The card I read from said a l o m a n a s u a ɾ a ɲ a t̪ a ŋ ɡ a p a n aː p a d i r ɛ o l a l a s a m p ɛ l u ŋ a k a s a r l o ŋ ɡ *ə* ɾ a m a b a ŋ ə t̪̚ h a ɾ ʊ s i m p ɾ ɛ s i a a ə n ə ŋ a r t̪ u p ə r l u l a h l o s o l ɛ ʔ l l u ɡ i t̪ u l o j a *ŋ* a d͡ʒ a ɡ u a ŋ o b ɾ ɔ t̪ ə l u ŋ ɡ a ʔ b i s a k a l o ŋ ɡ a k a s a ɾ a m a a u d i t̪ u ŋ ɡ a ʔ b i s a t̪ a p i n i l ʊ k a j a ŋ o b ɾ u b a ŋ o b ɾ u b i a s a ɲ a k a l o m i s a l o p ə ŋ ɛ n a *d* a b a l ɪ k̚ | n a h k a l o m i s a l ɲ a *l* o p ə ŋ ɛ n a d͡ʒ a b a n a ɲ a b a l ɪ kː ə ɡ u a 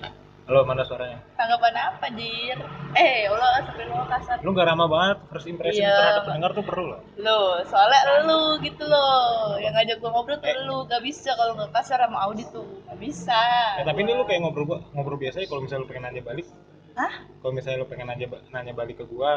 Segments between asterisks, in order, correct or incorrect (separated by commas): incorrect, correct, incorrect, correct